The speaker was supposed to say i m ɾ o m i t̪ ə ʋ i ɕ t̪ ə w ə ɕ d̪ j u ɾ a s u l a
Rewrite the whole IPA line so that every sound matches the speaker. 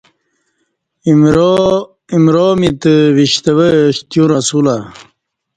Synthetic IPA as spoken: i m ɾ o m i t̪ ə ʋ i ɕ t̪ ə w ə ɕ t̪ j u ɾ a s u l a